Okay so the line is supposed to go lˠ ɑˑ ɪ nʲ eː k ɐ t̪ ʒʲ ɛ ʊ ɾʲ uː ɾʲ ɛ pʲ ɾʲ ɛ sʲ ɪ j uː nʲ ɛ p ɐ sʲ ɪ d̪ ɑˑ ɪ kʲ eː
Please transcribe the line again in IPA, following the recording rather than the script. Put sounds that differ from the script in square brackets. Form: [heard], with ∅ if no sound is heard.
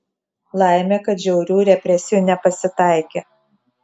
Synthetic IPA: lˠ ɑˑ ɪ [mʲ] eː k ɐ t̪ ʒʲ ɛ ʊ ɾʲ uː ɾʲ ɛ pʲ ɾʲ ɛ sʲ ɪ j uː nʲ ɛ p ɐ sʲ ɪ [t̪] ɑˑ ɪ kʲ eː

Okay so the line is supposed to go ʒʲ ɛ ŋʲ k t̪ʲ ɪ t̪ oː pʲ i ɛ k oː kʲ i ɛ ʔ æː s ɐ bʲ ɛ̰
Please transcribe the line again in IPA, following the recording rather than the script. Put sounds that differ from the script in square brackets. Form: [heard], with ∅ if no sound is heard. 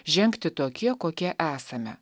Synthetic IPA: ʒʲ ɛ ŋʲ k t̪ʲ ɪ t̪ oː [kʲ] i ɛ k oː kʲ i ɛ ʔ æː s ɐ [mʲ] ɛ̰

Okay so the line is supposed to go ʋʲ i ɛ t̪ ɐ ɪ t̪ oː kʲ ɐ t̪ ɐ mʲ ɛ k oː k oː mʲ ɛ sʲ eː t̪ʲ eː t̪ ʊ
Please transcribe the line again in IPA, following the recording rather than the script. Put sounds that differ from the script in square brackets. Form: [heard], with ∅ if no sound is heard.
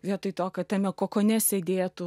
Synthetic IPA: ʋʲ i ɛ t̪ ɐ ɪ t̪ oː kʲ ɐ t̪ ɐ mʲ ɛ k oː k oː [nʲ] ɛ sʲ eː [d̪ʲ] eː t̪ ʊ

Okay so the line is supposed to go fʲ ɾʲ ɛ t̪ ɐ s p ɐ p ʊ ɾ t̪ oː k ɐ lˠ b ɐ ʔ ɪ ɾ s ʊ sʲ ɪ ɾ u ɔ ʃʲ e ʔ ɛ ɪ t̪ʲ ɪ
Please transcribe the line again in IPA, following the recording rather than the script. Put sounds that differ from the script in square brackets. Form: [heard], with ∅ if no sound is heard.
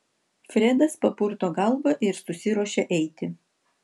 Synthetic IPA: fʲ ɾʲ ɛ [d̪] ɐ s p ɐ p ʊ ɾ t̪ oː [ɡ] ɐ lˠ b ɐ ʔ ɪ ɾ s ʊ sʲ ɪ ɾ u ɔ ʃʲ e ʔ ɛ ɪ t̪ʲ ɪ

